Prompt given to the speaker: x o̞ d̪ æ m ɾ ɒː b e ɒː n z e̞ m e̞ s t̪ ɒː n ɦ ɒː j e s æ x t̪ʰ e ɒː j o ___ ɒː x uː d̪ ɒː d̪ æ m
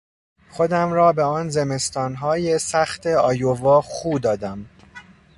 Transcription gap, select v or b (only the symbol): v